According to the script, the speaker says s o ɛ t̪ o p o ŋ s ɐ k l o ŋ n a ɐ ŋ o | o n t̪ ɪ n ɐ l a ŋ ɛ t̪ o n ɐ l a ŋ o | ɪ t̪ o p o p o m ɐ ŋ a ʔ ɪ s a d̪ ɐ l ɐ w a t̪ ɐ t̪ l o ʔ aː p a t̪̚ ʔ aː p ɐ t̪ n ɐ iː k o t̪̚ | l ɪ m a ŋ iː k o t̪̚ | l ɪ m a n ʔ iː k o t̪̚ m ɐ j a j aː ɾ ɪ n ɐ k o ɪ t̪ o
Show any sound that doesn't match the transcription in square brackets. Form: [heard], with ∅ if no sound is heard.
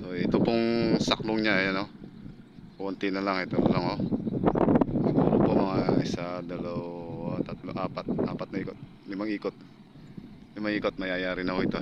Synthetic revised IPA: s o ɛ t̪ o p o ŋ s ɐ k l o ŋ [ɲ] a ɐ [n] o | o n t̪ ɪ n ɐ l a ŋ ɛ t̪ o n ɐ l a ŋ o | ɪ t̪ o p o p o m ɐ ŋ a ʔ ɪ s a d̪ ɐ l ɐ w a t̪ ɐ t̪ l o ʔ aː p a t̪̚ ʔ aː p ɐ t̪ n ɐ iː k o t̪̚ | l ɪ m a ŋ iː k o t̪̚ | l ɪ m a [ŋ] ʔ iː k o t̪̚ m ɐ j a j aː ɾ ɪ n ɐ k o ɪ t̪ o